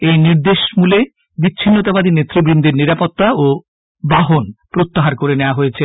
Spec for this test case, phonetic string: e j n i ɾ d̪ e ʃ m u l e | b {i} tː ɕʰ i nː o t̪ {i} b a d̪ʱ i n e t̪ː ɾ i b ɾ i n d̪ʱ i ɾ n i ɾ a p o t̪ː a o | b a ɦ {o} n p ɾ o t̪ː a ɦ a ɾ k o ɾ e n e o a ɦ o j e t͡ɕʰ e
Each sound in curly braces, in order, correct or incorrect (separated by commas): correct, incorrect, correct